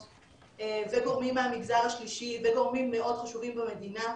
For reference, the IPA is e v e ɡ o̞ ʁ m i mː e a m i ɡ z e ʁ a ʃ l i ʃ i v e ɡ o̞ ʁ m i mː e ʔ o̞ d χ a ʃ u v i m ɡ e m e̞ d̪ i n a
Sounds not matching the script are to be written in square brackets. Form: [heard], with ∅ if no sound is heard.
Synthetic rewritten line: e v e ɡ o̞ ʁ m i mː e a m i ɡ z [a] ʁ a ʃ l i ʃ i v e ɡ o̞ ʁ m i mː e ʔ o̞ d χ a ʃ u v i m [b] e m e̞ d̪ i n a